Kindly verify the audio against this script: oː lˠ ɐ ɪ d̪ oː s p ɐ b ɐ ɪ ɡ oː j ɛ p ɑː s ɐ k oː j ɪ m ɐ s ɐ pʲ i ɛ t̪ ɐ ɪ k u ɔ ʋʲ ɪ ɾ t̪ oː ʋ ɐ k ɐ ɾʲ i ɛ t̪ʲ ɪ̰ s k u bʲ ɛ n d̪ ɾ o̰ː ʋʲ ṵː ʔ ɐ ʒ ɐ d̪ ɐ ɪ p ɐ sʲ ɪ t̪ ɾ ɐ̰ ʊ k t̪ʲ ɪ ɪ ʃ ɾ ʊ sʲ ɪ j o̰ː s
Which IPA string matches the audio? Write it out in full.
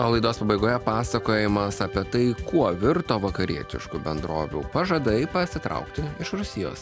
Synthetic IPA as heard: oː lˠ ɐ ɪ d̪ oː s p ɐ b ɐ ɪ ɡ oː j ɛ p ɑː s ɐ k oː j ɪ m ɐ s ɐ pʲ i ɛ t̪ ɐ ɪ k u ɔ ʋʲ ɪ ɾ t̪ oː ʋ ɐ k ɐ ɾʲ i ɛ t̪ʲ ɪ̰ ʃ k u bʲ ɛ n d̪ ɾ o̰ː ʋʲ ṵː p ɐ ʒ ɐ d̪ ɐ ɪ p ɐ sʲ ɪ t̪ ɾ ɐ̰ ʊ k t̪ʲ ɪ ɪ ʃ ɾ ʊ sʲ ɪ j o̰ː s